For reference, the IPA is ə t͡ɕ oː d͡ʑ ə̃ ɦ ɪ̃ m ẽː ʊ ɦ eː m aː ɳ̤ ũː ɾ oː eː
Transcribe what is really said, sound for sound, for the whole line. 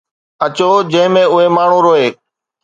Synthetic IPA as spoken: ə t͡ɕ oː d͡ʑ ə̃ ɦ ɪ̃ m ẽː ʊ ɦ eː m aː ɳ̤ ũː ɾ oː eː